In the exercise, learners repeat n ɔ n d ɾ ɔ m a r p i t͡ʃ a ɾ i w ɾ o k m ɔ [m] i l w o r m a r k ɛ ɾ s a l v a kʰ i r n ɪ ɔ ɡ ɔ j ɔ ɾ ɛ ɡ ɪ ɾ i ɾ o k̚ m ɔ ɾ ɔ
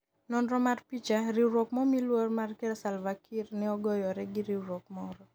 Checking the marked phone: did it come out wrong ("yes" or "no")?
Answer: no